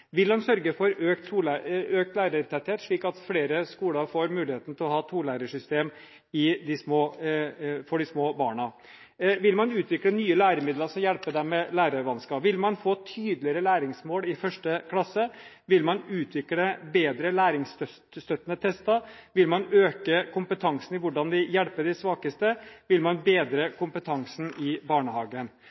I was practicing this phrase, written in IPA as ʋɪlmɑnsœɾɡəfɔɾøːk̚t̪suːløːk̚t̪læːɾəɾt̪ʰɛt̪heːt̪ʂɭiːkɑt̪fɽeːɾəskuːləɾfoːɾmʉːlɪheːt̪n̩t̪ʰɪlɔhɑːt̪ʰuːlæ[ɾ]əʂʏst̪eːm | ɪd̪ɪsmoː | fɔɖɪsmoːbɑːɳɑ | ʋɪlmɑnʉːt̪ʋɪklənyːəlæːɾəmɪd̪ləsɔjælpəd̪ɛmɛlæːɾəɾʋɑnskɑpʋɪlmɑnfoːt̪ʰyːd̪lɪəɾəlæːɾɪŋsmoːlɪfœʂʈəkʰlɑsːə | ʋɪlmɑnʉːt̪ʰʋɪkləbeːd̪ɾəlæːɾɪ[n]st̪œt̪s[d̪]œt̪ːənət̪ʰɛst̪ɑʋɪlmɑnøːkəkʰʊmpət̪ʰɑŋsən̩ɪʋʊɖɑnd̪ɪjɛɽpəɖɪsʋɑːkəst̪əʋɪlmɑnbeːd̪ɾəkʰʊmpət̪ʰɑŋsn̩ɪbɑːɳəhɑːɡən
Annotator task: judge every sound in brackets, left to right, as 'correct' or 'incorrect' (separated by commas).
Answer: correct, incorrect, incorrect